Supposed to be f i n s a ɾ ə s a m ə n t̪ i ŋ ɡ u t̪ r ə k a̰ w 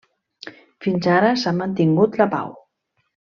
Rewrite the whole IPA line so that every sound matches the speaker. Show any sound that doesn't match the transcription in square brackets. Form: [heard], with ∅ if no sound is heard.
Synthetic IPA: f i n [z] a ɾ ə s a m ə n t̪ i ŋ ɡ u t̪ [l] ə [p] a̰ w